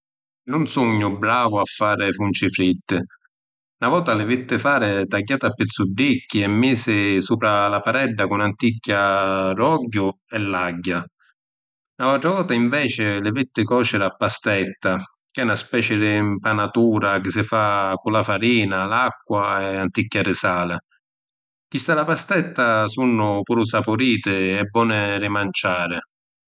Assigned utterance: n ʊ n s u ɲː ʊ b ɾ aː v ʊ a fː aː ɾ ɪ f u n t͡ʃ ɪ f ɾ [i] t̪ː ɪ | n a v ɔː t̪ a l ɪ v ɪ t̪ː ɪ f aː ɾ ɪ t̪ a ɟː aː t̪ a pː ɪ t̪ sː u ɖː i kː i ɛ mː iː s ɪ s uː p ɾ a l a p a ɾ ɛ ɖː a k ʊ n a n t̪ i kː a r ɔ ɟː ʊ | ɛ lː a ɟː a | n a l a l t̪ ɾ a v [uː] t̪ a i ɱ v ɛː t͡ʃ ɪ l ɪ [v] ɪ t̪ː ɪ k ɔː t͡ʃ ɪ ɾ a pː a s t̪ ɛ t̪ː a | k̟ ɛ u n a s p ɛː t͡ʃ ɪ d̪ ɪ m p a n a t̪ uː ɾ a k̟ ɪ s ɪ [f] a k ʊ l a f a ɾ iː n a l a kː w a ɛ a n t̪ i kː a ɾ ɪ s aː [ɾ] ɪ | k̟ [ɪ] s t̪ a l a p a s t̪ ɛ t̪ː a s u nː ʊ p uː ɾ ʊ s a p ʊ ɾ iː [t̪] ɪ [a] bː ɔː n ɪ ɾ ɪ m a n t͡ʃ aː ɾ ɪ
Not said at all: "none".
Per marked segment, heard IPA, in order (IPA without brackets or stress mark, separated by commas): i, ɔː, v, f, l, i, t̪, ɛ